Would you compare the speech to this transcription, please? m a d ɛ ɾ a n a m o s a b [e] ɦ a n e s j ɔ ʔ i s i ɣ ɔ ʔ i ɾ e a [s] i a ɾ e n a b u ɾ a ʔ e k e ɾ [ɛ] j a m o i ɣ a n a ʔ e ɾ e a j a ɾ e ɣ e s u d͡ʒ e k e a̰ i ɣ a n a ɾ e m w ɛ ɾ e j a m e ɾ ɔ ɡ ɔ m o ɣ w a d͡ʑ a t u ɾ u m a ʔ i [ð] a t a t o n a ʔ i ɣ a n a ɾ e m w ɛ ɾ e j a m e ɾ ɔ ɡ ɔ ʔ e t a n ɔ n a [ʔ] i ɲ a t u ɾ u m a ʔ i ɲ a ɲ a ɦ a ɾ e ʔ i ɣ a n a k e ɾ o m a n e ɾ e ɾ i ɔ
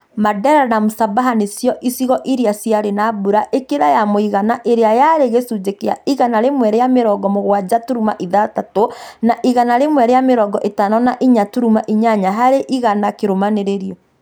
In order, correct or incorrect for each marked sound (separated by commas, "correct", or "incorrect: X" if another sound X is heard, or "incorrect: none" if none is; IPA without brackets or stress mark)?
incorrect: a, correct, incorrect: a, correct, correct